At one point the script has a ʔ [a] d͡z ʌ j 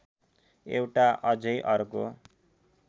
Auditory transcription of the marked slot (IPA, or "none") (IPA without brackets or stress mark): ʌ